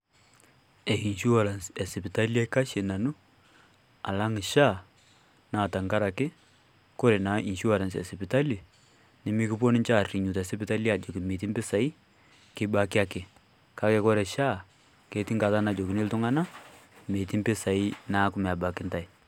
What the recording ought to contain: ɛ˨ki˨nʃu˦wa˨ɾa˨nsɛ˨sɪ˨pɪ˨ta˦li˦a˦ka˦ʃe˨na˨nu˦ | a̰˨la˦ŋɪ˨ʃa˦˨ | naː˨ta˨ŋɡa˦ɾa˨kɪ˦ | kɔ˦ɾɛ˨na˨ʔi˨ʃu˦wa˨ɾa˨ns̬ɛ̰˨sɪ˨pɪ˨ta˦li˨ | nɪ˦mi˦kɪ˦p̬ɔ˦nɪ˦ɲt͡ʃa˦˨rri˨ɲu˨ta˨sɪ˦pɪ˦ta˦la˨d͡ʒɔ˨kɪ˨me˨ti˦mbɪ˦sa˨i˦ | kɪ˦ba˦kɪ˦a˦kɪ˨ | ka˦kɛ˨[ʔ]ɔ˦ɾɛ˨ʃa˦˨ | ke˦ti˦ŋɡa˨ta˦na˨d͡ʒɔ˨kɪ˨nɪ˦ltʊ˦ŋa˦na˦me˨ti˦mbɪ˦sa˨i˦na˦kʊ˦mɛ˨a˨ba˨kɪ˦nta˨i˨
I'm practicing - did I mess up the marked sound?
yes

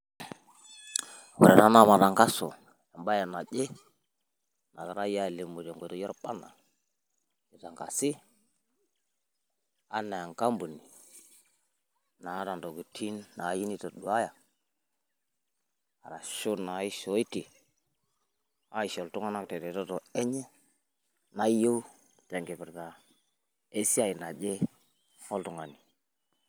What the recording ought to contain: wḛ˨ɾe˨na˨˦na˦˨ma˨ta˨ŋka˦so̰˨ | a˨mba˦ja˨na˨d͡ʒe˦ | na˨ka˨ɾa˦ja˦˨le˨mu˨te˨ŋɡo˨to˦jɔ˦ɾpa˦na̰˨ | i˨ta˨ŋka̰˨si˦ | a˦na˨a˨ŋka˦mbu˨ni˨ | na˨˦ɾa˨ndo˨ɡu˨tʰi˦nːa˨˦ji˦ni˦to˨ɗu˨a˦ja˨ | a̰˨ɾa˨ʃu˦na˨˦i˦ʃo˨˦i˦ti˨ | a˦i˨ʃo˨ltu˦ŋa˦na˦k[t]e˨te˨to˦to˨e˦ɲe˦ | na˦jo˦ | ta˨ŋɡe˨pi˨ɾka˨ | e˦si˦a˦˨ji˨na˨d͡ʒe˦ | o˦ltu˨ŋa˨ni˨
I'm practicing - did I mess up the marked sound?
no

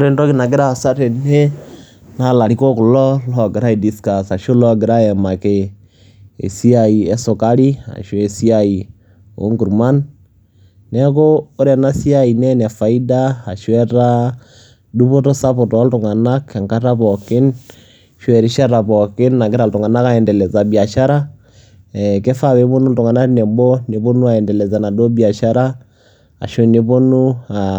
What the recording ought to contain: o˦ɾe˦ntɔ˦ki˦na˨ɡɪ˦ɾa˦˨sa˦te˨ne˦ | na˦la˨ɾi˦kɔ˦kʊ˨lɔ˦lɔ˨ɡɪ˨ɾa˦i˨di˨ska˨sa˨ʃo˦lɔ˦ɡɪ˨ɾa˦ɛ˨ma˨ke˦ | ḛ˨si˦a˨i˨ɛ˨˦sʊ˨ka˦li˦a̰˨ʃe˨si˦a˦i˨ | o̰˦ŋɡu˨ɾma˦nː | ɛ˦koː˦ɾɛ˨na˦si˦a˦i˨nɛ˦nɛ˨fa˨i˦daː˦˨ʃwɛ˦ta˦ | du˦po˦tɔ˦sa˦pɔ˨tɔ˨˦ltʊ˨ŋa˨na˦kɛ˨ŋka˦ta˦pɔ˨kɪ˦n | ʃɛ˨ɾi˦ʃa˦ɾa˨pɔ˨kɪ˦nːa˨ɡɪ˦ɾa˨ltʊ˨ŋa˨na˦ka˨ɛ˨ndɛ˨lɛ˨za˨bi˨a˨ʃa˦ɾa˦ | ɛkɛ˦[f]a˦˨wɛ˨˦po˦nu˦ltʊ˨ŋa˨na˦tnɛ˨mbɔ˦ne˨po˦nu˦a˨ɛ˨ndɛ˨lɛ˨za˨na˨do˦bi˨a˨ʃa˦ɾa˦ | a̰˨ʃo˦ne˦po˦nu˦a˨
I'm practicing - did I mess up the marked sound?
no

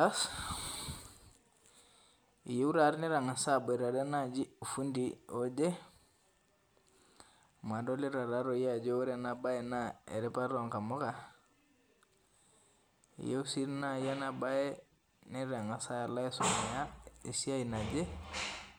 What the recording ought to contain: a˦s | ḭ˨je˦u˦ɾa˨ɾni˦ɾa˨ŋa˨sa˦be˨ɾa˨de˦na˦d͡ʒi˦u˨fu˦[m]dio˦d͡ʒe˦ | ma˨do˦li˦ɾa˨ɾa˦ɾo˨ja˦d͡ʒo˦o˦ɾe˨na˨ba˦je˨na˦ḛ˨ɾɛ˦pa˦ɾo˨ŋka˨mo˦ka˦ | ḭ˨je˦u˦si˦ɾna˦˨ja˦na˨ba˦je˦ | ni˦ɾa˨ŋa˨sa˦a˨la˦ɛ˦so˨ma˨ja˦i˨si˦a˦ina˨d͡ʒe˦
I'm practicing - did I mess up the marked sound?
yes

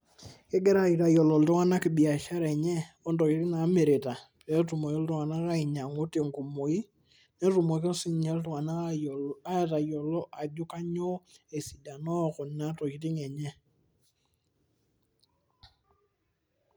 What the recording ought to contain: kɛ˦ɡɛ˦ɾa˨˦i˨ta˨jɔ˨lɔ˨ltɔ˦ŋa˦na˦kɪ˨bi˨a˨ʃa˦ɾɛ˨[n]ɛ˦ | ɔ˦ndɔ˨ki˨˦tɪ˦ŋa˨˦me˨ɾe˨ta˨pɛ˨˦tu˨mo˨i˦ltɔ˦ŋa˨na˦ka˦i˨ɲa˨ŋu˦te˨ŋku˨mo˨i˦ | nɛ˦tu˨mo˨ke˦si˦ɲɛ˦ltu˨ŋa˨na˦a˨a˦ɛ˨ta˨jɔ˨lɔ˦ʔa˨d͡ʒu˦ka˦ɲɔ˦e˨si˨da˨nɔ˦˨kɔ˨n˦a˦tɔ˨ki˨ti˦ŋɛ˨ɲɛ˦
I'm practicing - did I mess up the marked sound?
yes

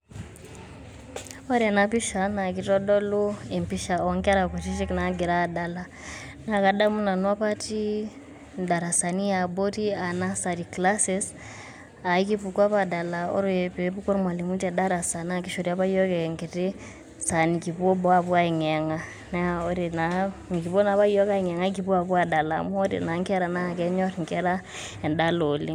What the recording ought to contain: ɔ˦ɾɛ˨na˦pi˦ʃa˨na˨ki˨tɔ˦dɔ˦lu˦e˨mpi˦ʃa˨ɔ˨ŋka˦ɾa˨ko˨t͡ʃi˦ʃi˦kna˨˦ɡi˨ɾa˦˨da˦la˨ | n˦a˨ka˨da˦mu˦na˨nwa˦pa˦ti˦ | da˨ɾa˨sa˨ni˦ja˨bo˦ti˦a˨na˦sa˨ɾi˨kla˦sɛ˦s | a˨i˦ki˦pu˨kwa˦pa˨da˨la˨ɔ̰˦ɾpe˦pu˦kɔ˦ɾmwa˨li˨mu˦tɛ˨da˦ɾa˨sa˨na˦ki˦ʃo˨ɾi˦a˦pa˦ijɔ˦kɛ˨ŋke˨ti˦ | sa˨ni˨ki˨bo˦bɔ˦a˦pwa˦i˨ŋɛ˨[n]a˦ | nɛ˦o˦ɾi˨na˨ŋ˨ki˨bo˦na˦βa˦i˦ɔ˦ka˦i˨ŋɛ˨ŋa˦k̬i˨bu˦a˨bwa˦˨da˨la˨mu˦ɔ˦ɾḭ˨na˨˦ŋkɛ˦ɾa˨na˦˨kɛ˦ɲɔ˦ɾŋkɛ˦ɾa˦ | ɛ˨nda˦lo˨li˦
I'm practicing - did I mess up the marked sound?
yes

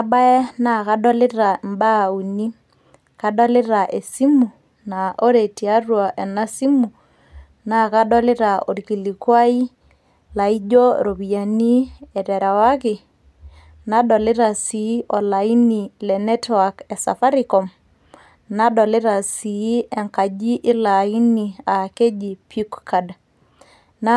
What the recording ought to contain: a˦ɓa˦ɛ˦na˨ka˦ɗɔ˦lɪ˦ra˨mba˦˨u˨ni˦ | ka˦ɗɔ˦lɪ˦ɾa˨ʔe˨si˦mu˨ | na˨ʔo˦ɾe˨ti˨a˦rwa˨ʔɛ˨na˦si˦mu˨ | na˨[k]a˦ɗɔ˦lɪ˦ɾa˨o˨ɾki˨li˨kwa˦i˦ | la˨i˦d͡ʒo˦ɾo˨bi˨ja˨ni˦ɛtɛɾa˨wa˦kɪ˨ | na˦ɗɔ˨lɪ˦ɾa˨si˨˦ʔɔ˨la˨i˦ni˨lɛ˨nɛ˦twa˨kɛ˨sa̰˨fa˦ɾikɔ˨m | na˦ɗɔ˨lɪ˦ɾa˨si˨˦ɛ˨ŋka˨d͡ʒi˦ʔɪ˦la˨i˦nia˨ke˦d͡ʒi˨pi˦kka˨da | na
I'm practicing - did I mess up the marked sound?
no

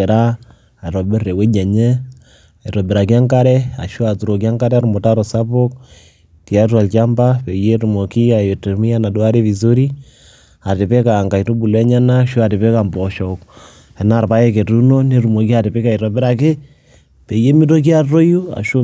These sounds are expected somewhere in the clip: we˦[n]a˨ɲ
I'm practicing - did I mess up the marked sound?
yes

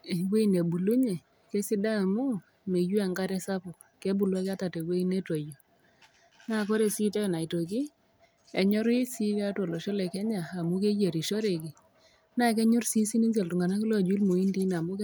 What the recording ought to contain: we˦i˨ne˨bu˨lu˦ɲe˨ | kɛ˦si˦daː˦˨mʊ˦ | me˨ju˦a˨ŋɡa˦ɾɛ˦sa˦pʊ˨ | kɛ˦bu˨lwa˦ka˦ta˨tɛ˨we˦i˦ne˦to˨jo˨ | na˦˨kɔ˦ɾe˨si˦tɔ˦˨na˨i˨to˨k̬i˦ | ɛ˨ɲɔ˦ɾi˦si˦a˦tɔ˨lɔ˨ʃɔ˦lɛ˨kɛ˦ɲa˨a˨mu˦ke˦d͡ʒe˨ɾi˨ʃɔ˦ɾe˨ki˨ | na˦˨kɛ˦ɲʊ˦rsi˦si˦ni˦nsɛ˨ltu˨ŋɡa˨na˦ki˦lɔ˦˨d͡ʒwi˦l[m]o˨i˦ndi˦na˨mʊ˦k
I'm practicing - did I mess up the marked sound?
no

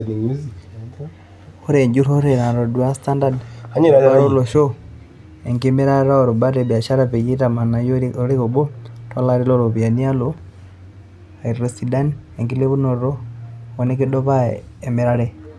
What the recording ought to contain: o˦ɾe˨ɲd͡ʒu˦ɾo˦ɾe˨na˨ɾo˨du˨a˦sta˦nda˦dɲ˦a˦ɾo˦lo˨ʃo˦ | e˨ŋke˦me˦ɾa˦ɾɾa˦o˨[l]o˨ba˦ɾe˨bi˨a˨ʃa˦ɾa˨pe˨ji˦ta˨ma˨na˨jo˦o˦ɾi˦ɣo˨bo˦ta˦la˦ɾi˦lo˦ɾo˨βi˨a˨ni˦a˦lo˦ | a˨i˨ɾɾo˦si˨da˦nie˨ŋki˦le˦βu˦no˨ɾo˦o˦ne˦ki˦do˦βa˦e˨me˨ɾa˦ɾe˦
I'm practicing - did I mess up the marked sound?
yes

